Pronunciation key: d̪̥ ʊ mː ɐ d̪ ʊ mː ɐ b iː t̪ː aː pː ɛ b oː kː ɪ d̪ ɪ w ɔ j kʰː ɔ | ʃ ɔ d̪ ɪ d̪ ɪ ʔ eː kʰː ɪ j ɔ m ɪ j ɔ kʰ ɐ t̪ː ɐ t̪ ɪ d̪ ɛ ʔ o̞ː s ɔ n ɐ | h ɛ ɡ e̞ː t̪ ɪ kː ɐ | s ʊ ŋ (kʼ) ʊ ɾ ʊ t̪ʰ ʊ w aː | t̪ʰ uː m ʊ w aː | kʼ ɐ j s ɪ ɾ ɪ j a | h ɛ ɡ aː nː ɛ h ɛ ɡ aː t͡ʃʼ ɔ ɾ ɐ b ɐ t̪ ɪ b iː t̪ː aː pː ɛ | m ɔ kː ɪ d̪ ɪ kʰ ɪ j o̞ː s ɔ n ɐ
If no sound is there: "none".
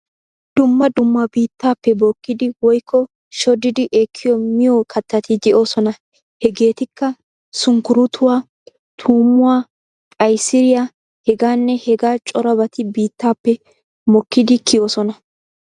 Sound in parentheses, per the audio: k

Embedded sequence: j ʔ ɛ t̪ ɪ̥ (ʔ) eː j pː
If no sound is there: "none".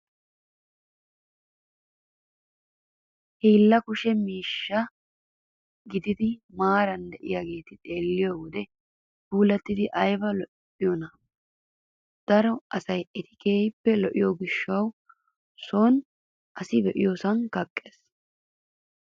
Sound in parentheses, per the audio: k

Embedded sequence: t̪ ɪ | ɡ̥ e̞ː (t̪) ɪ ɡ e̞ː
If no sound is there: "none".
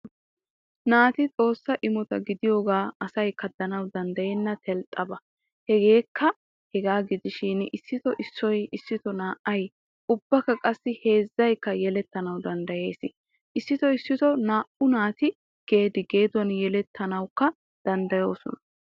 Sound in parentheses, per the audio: d̪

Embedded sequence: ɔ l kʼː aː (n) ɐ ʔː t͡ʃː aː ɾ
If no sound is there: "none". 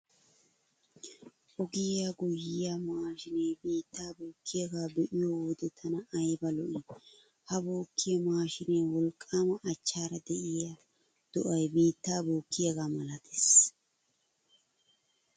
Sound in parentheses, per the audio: m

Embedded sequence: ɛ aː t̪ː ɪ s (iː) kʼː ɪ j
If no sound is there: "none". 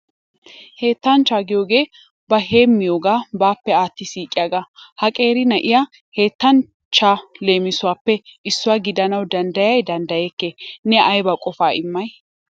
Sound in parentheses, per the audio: iː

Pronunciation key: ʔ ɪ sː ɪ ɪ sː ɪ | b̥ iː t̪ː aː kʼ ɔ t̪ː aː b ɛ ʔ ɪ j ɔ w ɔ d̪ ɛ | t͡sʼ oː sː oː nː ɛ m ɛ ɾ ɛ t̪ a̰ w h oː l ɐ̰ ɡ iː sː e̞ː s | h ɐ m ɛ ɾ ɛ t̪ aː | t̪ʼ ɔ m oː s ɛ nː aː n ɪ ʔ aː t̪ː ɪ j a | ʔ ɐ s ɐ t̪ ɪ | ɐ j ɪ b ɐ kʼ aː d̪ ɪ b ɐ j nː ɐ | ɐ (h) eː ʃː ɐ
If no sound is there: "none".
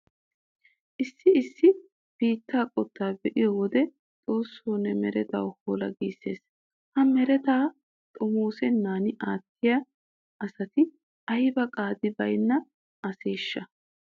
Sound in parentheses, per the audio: s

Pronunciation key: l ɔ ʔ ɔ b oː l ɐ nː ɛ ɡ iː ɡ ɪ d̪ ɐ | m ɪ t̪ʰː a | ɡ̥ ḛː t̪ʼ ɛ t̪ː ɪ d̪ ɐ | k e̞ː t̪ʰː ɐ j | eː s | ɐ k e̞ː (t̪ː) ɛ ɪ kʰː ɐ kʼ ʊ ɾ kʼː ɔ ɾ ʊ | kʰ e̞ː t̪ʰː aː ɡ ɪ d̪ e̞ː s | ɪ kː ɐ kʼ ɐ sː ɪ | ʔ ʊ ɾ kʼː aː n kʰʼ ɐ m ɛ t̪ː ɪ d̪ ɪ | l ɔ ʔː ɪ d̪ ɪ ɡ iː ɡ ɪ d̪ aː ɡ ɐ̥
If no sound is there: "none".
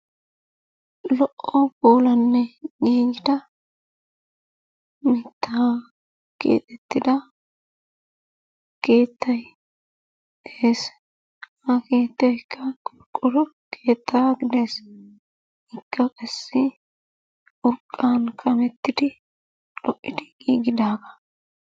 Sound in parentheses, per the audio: t̪ː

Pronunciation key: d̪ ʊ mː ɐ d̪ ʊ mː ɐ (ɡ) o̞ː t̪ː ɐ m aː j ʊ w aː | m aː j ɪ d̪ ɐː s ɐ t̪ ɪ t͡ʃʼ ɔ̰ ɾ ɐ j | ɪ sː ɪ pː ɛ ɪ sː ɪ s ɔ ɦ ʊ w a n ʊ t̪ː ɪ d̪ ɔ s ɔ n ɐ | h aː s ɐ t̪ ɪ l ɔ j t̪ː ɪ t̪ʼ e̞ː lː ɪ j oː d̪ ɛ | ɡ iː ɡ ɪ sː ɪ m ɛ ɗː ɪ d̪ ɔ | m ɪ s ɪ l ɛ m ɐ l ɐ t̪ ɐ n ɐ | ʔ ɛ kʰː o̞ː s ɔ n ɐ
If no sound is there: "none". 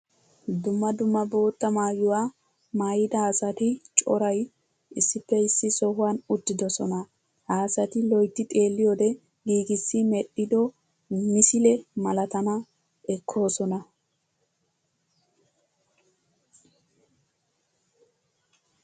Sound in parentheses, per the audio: b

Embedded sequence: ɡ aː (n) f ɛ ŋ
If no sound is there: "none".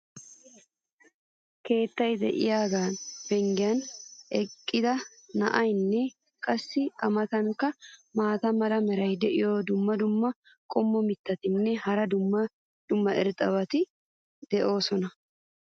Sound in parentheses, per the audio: n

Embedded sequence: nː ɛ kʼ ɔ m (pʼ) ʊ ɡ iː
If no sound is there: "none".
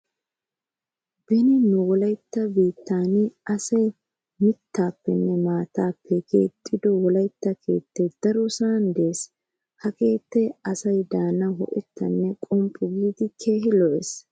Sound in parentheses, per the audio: pʼ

